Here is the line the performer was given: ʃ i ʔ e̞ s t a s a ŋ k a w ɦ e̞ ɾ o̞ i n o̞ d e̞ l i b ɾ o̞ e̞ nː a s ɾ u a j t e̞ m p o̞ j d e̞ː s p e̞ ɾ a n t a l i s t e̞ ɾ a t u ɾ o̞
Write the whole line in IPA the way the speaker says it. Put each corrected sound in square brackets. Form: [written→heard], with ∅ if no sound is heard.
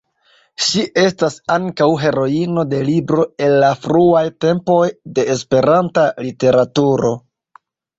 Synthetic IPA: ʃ i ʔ e̞ s t a s a ŋ k a w ɦ e̞ ɾ o̞ i n o̞ d e̞ l i b ɾ o̞ e̞ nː a [s→f] ɾ u a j t e̞ m p o̞ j d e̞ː s p e̞ ɾ a n t a l i [s→∅] t e̞ ɾ a t u ɾ o̞